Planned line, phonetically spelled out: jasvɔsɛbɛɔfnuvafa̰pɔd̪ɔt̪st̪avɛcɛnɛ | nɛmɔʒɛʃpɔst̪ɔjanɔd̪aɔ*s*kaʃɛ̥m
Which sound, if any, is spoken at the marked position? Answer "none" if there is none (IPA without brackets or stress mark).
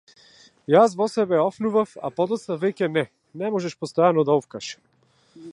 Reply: f